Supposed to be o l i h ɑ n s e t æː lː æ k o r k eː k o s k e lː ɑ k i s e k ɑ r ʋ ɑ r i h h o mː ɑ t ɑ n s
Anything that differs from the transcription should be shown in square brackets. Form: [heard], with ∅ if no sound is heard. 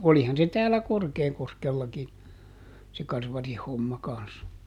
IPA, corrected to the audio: o l i h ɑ n s e t æː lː æ k o r k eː k o s k e lː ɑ k i s e k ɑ r ʋ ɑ r i h h o mː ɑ [k] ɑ n s